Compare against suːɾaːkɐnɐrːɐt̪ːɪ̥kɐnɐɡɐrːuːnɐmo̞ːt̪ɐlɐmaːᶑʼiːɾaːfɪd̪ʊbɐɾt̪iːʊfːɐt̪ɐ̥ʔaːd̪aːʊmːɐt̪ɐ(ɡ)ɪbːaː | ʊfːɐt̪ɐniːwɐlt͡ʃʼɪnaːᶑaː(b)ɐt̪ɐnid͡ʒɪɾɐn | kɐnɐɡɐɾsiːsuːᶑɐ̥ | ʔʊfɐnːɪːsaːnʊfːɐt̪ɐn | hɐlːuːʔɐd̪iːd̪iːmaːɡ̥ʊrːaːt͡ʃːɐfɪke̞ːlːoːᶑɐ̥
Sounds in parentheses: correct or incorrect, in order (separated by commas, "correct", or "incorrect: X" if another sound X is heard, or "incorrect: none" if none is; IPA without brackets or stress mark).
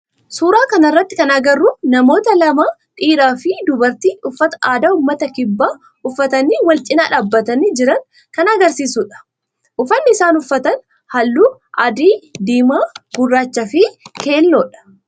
incorrect: k, incorrect: bː